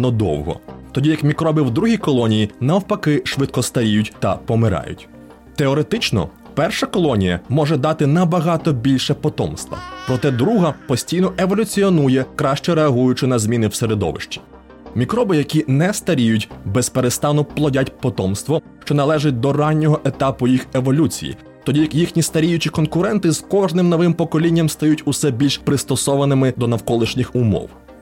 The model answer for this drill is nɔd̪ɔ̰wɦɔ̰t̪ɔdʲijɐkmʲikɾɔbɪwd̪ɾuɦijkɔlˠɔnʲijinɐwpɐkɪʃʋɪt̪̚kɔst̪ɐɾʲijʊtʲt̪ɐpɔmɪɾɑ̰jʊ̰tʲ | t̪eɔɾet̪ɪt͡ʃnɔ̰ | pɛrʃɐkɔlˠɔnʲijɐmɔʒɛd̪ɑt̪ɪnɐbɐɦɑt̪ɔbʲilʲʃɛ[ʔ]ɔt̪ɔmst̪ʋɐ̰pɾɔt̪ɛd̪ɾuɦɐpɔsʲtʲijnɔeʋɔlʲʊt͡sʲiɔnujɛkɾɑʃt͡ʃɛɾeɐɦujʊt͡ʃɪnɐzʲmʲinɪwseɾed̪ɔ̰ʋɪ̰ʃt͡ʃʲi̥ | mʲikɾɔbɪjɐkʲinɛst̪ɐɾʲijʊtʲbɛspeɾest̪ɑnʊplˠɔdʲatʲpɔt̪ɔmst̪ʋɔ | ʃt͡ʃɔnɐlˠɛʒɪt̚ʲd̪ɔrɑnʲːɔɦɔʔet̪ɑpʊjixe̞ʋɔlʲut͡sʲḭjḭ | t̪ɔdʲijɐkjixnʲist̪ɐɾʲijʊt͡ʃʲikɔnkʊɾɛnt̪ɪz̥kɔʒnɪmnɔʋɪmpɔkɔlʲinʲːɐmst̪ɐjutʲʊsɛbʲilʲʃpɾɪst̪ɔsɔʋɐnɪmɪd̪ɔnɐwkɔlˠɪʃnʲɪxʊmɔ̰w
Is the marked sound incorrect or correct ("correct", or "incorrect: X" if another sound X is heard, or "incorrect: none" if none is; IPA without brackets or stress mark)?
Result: incorrect: p